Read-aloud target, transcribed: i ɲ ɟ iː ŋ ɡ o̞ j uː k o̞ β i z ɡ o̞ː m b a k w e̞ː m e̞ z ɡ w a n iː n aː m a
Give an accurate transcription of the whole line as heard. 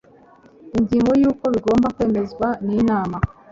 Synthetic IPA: i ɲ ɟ iː ŋ ɡ o̞ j uː k o̞ β i ɡ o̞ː m b a k w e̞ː m e̞ z ɡ w a n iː n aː m a

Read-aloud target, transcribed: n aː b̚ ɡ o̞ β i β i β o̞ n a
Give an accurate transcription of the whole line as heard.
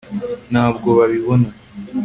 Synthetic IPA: n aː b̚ ɡ o̞ β a β i β o̞ n a

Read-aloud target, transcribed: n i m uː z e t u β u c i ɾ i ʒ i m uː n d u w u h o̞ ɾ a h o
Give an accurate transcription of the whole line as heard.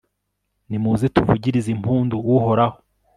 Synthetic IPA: n i m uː z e t u v u ɟ i ɾ i z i m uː n d u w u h o̞ ɾ a h o

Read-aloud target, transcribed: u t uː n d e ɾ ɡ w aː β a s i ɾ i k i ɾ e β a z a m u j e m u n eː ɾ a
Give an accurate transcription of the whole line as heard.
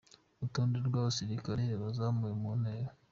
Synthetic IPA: u t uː n d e ɾ ɡ w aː β a s i ɾ i k a ɾ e β a z a m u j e m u n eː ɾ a

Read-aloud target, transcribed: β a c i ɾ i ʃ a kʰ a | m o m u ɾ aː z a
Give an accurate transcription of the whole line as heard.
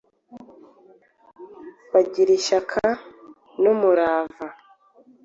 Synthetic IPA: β a ɟ i ɾ i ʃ a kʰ a | n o m u ɾ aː v a

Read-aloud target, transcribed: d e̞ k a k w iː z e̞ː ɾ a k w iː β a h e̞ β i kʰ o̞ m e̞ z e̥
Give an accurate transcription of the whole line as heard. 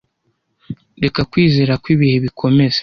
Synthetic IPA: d e̞ k a k w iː z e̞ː ɾ a k w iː β i h e̞ β i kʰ o̞ m e̞ z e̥

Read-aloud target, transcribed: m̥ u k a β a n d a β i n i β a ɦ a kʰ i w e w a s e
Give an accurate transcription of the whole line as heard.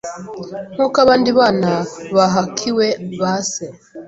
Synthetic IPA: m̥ u k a β a n d i β a n a β a ɦ a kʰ i w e β a s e

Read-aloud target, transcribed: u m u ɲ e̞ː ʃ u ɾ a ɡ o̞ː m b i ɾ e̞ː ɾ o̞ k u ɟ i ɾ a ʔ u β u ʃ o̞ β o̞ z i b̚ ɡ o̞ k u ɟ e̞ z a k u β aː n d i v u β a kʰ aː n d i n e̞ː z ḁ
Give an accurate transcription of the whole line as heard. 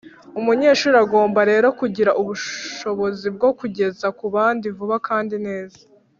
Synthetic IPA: u m u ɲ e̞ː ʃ u ɾ a ɡ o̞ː m b a ɾ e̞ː ɾ o̞ k u ɟ i ɾ a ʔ u β u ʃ o̞ β o̞ z i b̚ ɡ o̞ k u ɟ e̞ z a k u β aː n d i v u β a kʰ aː n d i n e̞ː z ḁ

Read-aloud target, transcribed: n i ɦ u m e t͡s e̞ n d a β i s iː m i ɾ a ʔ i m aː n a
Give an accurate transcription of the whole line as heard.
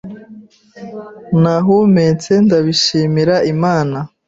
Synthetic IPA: n a ɦ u m e t͡s e̞ n d a β i ʃ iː m i ɾ a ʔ i m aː n a

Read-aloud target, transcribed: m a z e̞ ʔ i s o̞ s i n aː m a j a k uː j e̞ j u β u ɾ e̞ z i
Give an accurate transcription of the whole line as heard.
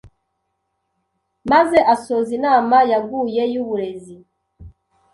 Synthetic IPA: m a z e̞ ʔ a s o̞ z i n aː m a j a ɡ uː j e̞ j u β u ɾ e̞ z i

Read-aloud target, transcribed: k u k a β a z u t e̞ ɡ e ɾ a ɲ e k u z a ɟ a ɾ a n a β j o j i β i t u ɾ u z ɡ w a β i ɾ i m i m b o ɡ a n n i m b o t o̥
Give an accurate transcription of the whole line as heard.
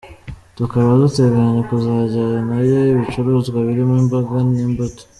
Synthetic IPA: t u k a β a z u t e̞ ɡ e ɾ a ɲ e k u z a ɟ a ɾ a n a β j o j i β i t͡ʃ u ɾ u z ɡ w a β i ɾ i m i m b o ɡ a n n i m b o t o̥

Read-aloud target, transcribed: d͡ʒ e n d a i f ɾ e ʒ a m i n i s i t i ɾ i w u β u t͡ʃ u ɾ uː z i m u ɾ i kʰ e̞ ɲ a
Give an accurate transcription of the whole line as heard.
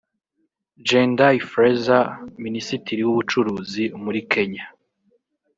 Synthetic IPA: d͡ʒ e n d a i f ɾ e z a m i n i s i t i ɾ i w u β u t͡ʃ u ɾ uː z i m u ɾ i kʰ e̞ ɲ a

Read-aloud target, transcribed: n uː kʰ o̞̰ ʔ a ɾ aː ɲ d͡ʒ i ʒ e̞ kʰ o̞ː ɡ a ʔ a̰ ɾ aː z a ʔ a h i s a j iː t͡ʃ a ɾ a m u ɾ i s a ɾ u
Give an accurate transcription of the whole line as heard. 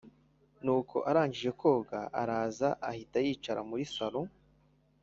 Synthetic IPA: n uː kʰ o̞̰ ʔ a ɾ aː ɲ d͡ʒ i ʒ e̞ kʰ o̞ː ɡ a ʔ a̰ ɾ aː z a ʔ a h i t a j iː t͡ʃ a ɾ a m u ɾ i s a ɾ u

